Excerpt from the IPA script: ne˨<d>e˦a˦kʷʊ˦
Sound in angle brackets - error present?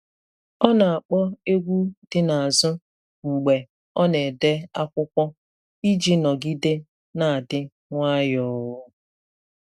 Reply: no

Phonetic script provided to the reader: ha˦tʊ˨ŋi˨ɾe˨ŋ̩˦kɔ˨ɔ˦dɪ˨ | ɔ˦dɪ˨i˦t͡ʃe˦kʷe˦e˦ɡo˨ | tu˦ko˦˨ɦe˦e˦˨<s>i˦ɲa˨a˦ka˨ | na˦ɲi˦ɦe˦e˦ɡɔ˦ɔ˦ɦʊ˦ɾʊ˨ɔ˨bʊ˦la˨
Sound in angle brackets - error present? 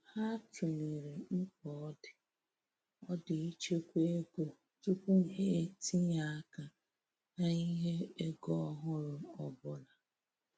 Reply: yes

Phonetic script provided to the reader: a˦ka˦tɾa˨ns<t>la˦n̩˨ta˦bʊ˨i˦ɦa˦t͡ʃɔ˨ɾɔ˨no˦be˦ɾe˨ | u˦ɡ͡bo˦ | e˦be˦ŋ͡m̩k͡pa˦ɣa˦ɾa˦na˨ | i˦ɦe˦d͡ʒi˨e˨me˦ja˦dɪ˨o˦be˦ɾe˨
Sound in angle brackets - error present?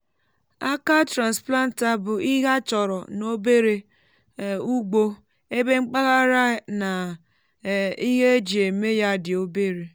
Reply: yes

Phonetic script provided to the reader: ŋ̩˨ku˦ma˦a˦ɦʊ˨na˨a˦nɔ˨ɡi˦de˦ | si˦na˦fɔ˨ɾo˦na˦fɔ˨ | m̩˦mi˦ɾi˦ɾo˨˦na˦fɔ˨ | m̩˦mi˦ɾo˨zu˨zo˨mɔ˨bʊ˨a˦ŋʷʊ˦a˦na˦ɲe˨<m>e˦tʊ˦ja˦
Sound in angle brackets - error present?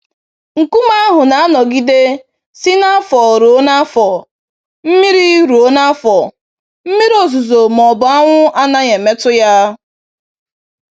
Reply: no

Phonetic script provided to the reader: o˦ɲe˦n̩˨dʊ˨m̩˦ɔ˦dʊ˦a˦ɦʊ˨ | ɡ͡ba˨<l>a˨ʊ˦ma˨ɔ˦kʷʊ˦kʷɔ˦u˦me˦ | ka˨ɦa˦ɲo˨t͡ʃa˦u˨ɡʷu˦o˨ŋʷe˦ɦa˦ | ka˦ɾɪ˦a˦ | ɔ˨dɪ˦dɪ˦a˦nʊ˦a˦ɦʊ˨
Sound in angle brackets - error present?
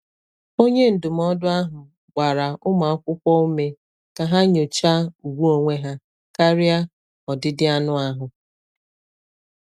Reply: yes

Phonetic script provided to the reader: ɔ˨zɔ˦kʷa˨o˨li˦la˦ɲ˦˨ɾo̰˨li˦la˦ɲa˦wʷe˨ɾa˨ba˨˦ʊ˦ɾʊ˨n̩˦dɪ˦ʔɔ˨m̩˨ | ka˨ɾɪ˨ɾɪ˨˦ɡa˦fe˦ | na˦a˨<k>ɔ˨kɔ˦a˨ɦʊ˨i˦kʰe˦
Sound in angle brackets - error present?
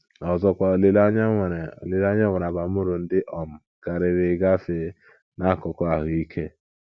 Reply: no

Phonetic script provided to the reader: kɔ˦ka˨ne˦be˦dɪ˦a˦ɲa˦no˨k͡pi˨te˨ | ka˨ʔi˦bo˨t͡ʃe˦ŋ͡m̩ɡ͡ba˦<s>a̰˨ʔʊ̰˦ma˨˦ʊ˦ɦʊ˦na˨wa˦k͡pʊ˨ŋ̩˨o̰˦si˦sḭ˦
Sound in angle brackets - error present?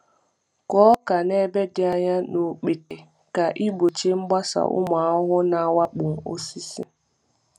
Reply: no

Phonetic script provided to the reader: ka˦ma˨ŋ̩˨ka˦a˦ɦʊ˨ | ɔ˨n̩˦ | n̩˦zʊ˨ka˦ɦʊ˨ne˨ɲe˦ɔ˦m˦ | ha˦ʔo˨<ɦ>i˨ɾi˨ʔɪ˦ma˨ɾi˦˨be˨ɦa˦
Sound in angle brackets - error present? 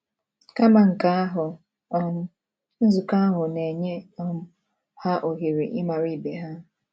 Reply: no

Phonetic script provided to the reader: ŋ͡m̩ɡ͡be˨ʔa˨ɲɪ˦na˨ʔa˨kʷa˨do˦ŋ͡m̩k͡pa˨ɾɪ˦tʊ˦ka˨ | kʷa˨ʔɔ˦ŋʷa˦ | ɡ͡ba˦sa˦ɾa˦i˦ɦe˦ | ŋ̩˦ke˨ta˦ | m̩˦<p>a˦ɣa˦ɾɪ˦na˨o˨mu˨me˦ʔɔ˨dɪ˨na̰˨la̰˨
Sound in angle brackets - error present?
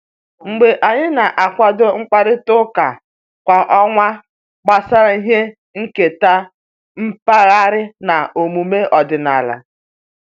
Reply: no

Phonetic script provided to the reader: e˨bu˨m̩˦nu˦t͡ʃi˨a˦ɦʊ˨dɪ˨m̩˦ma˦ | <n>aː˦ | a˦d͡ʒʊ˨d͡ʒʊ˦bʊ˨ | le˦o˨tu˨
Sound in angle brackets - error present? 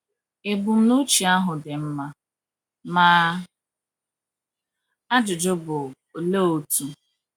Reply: yes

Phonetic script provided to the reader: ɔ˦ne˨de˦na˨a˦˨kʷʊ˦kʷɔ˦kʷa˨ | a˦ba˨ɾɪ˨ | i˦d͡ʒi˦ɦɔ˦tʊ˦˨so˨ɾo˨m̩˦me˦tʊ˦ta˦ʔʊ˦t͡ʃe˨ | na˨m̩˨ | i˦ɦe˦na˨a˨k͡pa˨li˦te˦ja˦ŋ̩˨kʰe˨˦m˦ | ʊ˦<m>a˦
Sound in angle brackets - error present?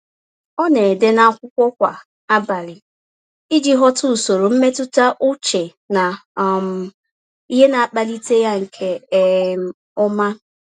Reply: no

